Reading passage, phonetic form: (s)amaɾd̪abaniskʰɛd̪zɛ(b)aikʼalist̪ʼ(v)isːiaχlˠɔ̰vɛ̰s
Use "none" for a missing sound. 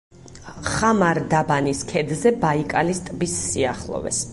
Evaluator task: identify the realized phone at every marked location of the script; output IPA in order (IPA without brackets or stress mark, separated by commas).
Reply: χ, b, b